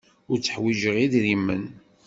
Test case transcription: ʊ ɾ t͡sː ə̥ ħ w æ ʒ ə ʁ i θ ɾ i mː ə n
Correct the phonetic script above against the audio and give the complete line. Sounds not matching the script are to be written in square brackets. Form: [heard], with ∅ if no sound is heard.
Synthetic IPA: ʊ ɾ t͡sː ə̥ ħ w [i] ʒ ə ʁ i [ð] ɾ i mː ə n